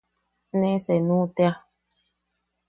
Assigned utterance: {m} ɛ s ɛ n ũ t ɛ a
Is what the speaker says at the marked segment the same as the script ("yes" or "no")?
no